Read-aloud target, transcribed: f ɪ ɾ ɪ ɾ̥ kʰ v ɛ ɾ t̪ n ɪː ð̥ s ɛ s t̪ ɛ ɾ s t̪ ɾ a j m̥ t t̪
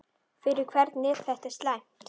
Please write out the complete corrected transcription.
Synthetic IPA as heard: f ɪ ɾ ɪ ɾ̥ kʰ v ɛ ɾ t̪ n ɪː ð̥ θ ɛ h t̪ ɛ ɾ s t̪ l a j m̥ t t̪